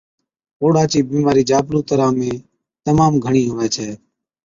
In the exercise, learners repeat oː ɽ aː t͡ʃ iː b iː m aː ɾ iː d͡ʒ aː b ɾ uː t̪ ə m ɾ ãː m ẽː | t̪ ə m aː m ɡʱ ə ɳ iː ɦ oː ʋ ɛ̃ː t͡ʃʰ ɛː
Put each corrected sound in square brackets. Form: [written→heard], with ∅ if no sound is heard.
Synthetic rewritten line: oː ɽ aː t͡ʃ iː b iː m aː ɾ iː d͡ʒ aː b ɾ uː t̪ ə [m→∅] ɾ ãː m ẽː | t̪ ə m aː m ɡʱ ə ɳ iː ɦ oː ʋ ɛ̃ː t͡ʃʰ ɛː